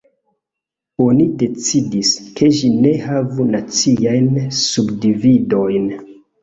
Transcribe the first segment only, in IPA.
o̞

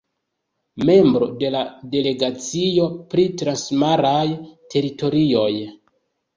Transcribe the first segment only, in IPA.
m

